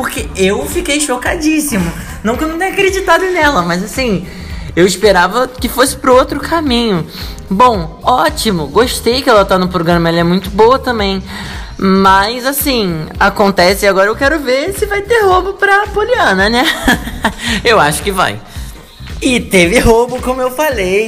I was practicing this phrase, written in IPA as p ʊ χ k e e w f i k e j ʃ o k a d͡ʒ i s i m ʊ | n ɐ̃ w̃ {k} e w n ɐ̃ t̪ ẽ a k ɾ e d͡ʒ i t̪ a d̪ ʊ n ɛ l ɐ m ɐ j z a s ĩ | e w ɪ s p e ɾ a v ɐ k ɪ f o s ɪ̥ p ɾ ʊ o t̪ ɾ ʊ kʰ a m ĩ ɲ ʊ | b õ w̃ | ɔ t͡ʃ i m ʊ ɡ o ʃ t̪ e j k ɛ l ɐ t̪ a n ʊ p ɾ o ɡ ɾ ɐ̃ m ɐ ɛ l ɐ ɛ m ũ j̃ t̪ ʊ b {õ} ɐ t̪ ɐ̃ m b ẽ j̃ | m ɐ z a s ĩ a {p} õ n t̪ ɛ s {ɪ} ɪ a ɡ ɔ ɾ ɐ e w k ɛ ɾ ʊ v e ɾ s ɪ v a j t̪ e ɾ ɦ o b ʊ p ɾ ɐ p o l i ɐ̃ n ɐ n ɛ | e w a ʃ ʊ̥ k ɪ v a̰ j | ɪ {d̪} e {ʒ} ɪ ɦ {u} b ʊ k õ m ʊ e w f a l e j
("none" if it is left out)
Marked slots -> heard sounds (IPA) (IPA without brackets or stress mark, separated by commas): k, o, k, ɪ, t̪, v, o